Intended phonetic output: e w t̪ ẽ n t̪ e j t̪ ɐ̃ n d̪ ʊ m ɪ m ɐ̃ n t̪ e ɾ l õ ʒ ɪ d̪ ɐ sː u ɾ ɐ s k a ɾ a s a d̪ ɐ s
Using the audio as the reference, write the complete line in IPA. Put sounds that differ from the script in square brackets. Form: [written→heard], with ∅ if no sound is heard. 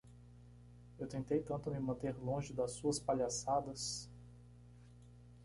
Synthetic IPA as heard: e w t̪ ẽ n t̪ e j t̪ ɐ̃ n [d̪→t̪] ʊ m ɪ m ɐ̃ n t̪ e ɾ l õ ʒ ɪ d̪ ɐ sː u [ɾ→∅] ɐ s [k→p] a [ɾ→ʎ] a s a d̪ ɐ s

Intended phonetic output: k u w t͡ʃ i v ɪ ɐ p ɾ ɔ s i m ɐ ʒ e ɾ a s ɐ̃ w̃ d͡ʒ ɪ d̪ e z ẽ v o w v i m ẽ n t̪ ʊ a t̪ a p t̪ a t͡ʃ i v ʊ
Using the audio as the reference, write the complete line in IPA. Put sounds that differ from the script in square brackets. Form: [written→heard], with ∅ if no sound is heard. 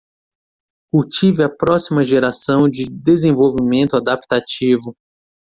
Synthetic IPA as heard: k u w t͡ʃ i v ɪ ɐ p ɾ ɔ s i m ɐ ʒ e ɾ a s ɐ̃ w̃ d͡ʒ ɪ d̪ e z ẽ v o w v i m ẽ n t̪ ʊ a [t̪→d̪] a p t̪ a t͡ʃ i v ʊ

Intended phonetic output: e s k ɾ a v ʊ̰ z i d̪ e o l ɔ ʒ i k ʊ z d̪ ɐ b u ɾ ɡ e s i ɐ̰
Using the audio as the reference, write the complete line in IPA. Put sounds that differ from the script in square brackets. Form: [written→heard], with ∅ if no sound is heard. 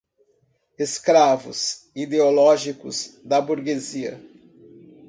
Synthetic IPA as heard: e s k ɾ a v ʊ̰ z i d̪ e o l ɔ ʒ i k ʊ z d̪ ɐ b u ɾ ɡ e [s→z] i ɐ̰

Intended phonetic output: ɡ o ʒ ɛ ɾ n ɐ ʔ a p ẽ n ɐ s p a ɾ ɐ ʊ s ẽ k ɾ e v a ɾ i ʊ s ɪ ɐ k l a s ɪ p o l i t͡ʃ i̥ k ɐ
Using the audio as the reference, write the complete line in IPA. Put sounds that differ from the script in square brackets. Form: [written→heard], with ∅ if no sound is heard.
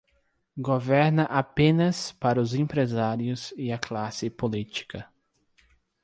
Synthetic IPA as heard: ɡ o [ʒ→v] ɛ ɾ n ɐ ʔ a p ẽ n ɐ s p a ɾ ɐ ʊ [s→z] ẽ [k→p] ɾ e [v→z] a ɾ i ʊ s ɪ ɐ k l a s ɪ p o l i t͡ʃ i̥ k ɐ

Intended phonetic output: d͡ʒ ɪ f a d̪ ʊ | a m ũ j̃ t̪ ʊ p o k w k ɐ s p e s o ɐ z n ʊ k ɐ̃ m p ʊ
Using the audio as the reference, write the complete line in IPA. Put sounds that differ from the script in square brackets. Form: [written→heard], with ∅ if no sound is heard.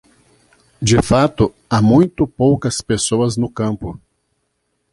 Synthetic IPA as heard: d͡ʒ ɪ f a [d̪→t̪] ʊ | a m ũ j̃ t̪ ʊ p o [k→∅] w k ɐ s p e s o ɐ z n ʊ k ɐ̃ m p ʊ

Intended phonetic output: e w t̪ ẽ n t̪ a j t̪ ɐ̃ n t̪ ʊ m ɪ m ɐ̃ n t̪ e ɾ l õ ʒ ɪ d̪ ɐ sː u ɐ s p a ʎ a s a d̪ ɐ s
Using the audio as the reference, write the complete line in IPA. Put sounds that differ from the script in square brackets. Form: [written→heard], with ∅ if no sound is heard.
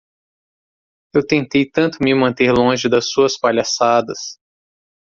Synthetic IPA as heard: e w t̪ ẽ n t̪ [a→e] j t̪ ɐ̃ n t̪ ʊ m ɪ m ɐ̃ n t̪ e ɾ l õ ʒ ɪ d̪ ɐ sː u ɐ s p a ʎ a s a d̪ ɐ s

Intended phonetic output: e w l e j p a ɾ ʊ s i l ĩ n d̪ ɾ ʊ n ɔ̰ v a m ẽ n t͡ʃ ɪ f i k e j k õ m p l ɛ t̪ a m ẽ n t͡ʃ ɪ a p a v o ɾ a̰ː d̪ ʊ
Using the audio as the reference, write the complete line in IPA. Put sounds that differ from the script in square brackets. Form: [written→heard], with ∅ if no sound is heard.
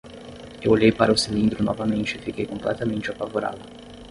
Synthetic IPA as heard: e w l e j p a ɾ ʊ s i l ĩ n d̪ ɾ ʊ n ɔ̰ v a m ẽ n t͡ʃ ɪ f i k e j k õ m p l ɛ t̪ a m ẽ n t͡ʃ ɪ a p a v o ɾ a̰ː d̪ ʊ

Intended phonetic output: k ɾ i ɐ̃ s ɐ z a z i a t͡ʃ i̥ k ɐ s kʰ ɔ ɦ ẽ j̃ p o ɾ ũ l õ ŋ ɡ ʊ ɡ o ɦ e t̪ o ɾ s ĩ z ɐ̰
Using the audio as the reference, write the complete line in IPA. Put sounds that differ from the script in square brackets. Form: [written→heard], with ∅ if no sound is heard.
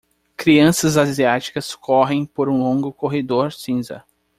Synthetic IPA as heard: k ɾ i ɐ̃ s ɐ z a z i a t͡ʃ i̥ k ɐ s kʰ ɔ ɦ ẽ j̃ p o ɾ ũ l õ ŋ ɡ ʊ [ɡ→k] o ɦ e [t̪→d̪] o ɾ s ĩ z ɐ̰

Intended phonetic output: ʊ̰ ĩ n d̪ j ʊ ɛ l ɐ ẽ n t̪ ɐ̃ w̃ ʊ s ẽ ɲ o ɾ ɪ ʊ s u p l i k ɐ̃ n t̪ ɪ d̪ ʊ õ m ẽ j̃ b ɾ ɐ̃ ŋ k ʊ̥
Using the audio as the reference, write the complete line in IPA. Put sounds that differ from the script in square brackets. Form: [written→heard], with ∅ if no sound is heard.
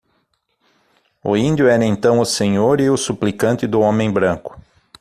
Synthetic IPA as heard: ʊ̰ ĩ n d̪ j ʊ ɛ [l→ɾ] ɐ ẽ n t̪ ɐ̃ w̃ ʊ s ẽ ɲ o ɾ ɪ ʊ s u p l i k ɐ̃ n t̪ ɪ d̪ ʊ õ m ẽ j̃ b ɾ ɐ̃ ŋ k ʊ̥

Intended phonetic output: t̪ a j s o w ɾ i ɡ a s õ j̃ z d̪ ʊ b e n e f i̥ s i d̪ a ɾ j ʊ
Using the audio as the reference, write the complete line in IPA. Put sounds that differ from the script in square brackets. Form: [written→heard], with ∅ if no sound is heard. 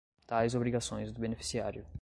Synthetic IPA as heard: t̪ a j [s→z] o [w→b] ɾ i ɡ a s õ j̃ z d̪ ʊ b e n e f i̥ s i [d̪→∅] a ɾ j ʊ

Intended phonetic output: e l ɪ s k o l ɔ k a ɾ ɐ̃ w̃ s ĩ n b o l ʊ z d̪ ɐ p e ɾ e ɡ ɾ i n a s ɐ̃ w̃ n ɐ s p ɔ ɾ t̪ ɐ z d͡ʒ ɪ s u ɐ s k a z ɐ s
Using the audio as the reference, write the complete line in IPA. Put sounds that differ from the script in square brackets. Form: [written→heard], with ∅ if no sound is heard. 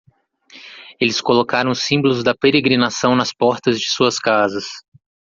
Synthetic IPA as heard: e l ɪ s k o l [ɔ→o] k a ɾ ɐ̃ w̃ s ĩ [n→∅] b o l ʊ z d̪ ɐ p e ɾ e ɡ ɾ i n a s ɐ̃ w̃ n ɐ s p ɔ ɾ t̪ ɐ z d͡ʒ ɪ s u ɐ s k a z ɐ s

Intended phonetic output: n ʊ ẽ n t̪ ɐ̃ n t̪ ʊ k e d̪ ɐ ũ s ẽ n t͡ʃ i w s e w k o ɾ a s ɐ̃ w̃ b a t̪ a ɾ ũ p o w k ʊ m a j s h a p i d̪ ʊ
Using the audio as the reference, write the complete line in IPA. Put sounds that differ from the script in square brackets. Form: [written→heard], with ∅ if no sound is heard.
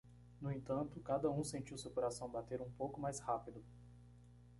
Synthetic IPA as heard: n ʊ ẽ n t̪ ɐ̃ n t̪ ʊ k [e→a] d̪ ɐ ũ s ẽ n t͡ʃ i w s e w k o ɾ a s ɐ̃ w̃ b a t̪ [a→e] ɾ ũ p o w k ʊ m a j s h a p i d̪ ʊ

